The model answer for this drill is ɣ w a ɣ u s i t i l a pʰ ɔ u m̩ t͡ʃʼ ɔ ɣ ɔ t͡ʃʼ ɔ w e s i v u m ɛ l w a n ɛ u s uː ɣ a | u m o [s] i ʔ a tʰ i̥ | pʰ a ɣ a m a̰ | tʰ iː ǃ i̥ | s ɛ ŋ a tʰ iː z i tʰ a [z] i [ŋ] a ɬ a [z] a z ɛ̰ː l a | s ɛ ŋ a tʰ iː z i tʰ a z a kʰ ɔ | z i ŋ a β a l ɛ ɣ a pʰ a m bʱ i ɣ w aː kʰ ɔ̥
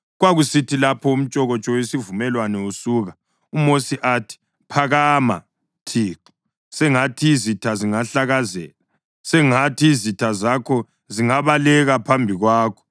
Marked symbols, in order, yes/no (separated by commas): yes, yes, yes, no